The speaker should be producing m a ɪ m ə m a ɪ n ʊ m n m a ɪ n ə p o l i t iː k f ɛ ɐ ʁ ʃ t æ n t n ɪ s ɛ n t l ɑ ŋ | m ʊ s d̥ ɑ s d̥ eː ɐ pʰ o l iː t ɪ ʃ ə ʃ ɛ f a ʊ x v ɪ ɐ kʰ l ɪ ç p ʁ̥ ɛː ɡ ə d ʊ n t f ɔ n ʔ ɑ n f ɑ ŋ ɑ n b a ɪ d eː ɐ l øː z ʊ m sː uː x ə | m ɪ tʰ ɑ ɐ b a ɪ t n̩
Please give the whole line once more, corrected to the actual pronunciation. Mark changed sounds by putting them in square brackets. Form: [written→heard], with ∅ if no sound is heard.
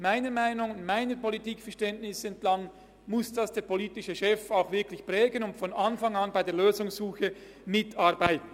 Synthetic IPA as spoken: m a ɪ [m→n] ə m a ɪ n ʊ [m→ŋ] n m a ɪ n ə p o l i t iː k f ɛ ɐ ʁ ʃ t [æ→ɛ] n t n ɪ s ɛ n t l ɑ ŋ | m ʊ s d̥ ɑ s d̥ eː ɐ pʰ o l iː t ɪ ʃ ə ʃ ɛ f a ʊ x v ɪ ɐ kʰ l ɪ ç p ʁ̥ ɛː ɡ ə [d→n] ʊ n t f ɔ n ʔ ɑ n f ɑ ŋ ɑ n b a ɪ d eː ɐ l øː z ʊ [m→ŋ] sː uː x ə | m ɪ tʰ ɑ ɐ b a ɪ t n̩